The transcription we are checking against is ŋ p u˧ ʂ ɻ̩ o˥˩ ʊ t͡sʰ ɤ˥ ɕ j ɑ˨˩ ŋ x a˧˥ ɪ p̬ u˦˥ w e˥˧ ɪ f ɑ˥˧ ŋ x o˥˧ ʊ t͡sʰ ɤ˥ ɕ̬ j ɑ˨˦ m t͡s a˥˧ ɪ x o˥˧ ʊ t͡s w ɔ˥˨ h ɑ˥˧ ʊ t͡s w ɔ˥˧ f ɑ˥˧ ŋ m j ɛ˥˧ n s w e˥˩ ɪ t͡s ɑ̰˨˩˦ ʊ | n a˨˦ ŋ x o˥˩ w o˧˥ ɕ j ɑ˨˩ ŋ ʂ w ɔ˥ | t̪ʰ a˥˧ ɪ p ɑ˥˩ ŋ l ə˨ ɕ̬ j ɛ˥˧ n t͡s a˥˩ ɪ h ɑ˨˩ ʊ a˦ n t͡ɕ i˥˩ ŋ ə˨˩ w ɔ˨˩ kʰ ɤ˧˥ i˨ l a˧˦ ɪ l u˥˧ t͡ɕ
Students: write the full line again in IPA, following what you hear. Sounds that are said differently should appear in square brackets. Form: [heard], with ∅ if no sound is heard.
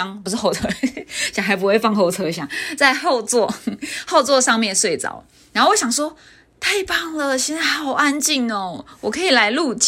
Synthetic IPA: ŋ p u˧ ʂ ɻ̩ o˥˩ ʊ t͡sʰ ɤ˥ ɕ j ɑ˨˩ ŋ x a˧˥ ɪ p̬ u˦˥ w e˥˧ ɪ f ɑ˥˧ ŋ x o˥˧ ʊ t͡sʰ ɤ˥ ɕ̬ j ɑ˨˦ [ŋ] t͡s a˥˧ ɪ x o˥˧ ʊ t͡s w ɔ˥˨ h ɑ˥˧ ʊ t͡s w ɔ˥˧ [ʂ] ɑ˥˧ ŋ m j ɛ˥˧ n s w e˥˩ ɪ t͡s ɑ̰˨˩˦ ʊ | n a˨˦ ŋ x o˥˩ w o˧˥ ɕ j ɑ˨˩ ŋ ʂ w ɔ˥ | t̪ʰ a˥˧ ɪ p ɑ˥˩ ŋ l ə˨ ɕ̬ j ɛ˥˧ n t͡s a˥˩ ɪ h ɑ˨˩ ʊ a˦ n t͡ɕ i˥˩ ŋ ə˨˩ w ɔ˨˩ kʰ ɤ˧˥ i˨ l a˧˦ ɪ l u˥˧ t͡ɕ